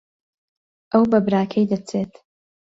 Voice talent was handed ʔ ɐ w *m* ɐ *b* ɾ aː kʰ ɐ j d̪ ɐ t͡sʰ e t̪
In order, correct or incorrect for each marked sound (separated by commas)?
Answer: incorrect, correct